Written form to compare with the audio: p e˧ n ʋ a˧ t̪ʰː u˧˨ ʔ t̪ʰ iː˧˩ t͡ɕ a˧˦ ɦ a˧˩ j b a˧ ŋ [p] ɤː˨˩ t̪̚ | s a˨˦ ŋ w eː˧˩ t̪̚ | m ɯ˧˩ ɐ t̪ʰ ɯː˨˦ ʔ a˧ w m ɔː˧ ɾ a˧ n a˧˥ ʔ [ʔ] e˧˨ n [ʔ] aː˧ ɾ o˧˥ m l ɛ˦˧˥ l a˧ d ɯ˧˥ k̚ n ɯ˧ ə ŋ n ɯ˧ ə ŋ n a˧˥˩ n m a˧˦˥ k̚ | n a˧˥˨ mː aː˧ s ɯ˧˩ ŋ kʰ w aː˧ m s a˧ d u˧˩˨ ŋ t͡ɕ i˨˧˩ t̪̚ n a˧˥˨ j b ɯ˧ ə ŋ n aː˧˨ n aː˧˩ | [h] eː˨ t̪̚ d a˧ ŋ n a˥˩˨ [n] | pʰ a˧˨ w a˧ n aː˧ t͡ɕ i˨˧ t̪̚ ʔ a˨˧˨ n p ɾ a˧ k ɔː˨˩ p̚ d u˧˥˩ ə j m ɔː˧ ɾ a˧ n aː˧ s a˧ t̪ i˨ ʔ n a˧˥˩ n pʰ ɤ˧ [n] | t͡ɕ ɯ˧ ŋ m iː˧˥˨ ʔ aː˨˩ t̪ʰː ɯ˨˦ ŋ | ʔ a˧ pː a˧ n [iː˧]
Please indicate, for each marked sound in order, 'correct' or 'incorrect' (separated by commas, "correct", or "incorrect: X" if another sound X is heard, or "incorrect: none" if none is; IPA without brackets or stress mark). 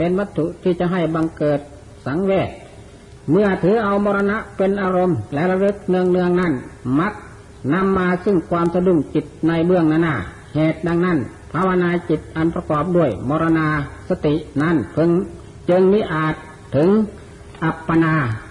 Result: incorrect: k, incorrect: p, correct, correct, correct, incorrect: ŋ, incorrect: aː˧